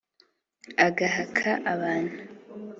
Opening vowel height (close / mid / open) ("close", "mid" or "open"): open